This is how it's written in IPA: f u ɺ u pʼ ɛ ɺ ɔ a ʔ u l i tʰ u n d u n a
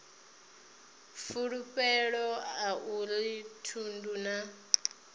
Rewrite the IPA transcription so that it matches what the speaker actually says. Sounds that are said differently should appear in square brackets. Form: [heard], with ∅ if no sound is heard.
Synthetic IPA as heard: f u ɺ u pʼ ɛ ɺ ɔ a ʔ u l i tʰ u n d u n a